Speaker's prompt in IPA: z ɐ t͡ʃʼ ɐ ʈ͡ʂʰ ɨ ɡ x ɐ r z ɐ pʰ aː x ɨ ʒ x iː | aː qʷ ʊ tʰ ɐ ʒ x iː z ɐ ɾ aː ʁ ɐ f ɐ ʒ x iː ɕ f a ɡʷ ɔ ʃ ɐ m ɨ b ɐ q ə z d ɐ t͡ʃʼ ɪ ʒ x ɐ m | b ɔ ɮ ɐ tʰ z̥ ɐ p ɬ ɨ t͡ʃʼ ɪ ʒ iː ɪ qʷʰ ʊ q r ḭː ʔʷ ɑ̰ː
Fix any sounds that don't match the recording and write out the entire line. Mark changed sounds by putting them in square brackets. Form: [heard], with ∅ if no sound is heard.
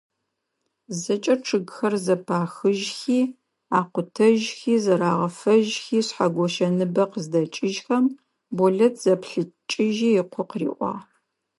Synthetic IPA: z ɐ t͡ʃʼ ɐ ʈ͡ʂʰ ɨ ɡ x ɐ r z ɐ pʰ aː x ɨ ʒ x iː | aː qʷ ʊ tʰ ɐ ʒ x iː z ɐ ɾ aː ʁ ɐ f ɐ ʒ x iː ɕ [ħ] a ɡʷ ɔ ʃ ɐ [n] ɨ b ɐ q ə z d ɐ t͡ʃʼ ɪ ʒ x ɐ m | b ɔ ɮ ɐ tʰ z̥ ɐ p ɬ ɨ t͡ʃʼ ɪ ʒ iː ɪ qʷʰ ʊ q r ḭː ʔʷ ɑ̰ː

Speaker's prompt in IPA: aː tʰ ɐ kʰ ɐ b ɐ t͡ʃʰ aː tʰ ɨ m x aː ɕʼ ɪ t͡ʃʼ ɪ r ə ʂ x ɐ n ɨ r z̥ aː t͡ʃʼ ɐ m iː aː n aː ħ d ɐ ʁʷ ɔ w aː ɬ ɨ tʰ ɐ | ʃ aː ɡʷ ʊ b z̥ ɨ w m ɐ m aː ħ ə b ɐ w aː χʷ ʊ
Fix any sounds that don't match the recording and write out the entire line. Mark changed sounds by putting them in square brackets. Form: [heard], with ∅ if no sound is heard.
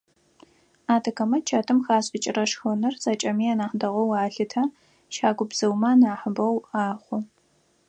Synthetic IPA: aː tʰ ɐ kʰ ɐ [m] ɐ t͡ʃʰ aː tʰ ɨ m x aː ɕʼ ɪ t͡ʃʼ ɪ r [ɐ] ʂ x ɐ n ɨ r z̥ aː t͡ʃʼ ɐ m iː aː n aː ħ d ɐ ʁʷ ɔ w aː ɬ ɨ tʰ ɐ | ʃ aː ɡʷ ʊ b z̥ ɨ w m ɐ [n] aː ħ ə b ɐ w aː χʷ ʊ

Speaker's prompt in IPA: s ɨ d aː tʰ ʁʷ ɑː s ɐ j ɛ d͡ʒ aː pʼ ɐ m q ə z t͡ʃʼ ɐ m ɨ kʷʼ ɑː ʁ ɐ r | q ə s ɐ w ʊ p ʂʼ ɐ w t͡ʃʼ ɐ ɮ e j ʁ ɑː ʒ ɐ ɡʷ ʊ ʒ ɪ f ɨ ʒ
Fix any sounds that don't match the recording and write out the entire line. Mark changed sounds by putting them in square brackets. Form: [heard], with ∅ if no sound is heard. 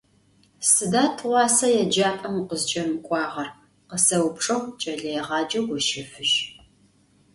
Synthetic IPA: s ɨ d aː tʰ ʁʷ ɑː s ɐ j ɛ d͡ʒ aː pʼ ɐ m q ə z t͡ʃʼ ɐ m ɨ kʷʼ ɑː ʁ ɐ r | q ə s ɐ w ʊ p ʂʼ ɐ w t͡ʃʼ ɐ ɮ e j ʁ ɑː [d͡ʒ] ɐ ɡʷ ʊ [ʃ] ɪ f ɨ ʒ

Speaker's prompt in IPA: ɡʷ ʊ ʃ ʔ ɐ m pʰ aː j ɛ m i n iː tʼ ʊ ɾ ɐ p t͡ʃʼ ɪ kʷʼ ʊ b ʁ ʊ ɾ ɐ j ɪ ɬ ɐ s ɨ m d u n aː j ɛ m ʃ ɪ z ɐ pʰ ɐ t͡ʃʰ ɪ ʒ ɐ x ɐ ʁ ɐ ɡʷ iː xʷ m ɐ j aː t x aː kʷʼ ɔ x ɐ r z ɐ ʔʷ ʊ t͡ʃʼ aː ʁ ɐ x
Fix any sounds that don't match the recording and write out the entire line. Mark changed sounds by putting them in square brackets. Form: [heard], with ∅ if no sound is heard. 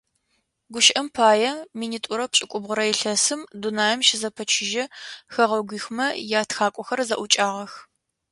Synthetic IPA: ɡʷ ʊ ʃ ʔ ɐ m pʰ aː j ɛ m i n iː tʼ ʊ ɾ ɐ p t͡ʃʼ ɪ kʷʼ ʊ b ʁ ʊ ɾ ɐ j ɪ ɬ ɐ s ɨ m d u n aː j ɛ m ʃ ɪ z ɐ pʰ ɐ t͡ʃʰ ɪ ʒ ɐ x ɐ ʁ ɐ ɡʷ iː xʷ m ɐ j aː t x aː kʷʼ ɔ x ɐ r z ɐ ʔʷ ʊ t͡ʃʼ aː ʁ ɐ x

